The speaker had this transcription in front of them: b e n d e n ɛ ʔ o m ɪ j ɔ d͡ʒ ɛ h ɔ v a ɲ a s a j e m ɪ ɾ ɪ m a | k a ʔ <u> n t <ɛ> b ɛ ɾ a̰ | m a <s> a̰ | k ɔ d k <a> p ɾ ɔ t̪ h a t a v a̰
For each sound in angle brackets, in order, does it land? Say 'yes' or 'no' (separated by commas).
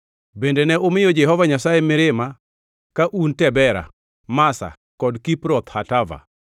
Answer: yes, yes, yes, no